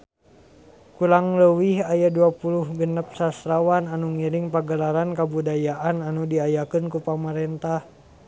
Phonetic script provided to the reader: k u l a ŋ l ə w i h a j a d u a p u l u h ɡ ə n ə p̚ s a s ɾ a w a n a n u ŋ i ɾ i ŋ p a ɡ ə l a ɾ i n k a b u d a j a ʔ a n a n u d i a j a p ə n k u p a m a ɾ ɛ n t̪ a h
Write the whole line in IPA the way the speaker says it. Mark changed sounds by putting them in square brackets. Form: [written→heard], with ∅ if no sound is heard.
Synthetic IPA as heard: k u l a ŋ l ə w i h a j a d u a p u l u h ɡ ə n ə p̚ s a s ɾ a w a n a n u ŋ i ɾ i ŋ p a ɡ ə l a ɾ [i→a] n k a b u d a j a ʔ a n a n u d i a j a [p→k] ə n k u p a m a ɾ ɛ n t̪ a h